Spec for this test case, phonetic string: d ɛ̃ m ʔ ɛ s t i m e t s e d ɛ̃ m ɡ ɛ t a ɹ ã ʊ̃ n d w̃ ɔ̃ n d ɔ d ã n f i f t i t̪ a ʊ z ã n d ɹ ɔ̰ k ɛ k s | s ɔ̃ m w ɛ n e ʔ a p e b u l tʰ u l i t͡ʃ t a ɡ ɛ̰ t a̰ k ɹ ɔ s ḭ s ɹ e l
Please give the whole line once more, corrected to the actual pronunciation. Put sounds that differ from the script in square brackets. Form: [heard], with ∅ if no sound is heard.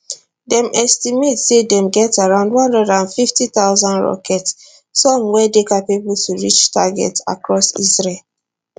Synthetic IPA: d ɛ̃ m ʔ ɛ s t i m e t s e d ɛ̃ m ɡ ɛ t a ɹ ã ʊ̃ n d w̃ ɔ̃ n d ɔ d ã n f i f t i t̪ a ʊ z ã n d ɹ ɔ̰ k ɛ [t] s | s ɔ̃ m w ɛ [d] e [k] a p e b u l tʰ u [ɹ] i t͡ʃ t a ɡ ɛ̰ t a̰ k ɹ ɔ s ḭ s ɹ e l